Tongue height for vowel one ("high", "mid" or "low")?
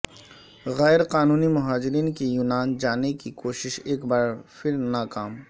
mid